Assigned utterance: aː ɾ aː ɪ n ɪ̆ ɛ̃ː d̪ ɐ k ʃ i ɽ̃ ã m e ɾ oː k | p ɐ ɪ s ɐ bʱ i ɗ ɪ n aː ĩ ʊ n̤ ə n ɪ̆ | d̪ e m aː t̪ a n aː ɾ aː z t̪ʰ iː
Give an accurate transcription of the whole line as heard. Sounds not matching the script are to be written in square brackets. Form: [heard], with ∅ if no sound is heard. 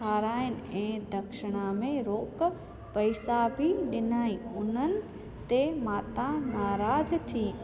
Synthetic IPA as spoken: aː ɾ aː ɪ n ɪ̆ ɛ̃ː d̪ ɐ k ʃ [ɪ] ɽ̃ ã m [ẽ] ɾ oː k | p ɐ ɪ s [a] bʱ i ɗ ɪ n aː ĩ ʊ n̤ ə n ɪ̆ | [t̪] e m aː t̪ a n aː ɾ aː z t̪ʰ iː